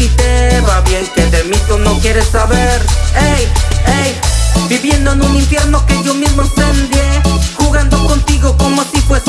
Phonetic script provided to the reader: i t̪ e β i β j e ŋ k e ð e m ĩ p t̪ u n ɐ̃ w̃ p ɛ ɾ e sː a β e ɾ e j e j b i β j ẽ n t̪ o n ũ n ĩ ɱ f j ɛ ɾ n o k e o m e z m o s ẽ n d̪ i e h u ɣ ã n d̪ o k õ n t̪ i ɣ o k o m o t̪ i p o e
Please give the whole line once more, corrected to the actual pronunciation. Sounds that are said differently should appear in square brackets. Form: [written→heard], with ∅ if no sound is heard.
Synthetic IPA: i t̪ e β [i→a] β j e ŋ k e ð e m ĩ [p→∅] t̪ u n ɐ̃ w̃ [p→k] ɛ ɾ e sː a β e ɾ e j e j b i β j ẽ n [t̪→d̪] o n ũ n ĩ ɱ f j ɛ ɾ n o k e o m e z m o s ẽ n d̪ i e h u ɣ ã n d̪ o k õ n t̪ i ɣ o k o m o t̪ i p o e